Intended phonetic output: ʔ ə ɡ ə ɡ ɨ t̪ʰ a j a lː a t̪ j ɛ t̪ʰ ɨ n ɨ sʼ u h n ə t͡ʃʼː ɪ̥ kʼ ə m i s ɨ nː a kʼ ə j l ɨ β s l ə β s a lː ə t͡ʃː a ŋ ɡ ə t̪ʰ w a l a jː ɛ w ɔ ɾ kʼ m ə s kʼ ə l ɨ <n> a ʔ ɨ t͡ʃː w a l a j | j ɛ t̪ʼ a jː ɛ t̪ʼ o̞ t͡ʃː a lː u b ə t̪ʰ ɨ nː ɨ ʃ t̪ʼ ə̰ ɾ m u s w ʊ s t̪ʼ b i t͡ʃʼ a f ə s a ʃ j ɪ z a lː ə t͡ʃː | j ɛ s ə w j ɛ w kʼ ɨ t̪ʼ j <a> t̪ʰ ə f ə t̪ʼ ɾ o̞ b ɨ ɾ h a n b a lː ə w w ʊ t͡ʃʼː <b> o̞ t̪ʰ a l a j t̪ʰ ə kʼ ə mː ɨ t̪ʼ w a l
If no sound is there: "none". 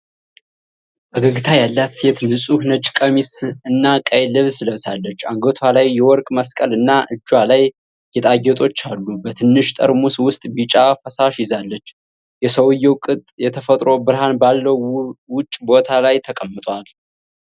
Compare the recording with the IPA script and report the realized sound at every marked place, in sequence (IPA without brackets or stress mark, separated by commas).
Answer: nː, ɛ, b